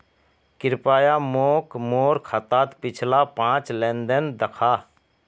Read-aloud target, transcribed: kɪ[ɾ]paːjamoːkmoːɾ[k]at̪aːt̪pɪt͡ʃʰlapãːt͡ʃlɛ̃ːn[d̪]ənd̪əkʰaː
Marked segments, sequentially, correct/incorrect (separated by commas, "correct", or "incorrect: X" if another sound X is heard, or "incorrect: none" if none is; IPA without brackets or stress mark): correct, incorrect: kʰ, correct